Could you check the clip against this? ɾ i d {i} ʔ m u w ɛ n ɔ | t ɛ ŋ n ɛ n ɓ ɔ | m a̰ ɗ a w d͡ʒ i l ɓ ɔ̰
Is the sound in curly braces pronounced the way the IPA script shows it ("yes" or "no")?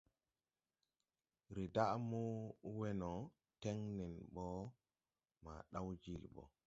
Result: no